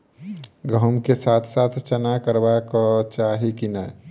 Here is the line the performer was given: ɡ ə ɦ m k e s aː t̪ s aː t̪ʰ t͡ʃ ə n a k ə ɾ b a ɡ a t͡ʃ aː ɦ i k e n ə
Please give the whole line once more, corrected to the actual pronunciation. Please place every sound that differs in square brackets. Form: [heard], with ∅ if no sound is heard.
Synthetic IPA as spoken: ɡ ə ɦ m k e s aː [t̪ʰ] s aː t̪ʰ t͡ʃ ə n a k ə ɾ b a [k] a t͡ʃ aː ɦ i k [i] n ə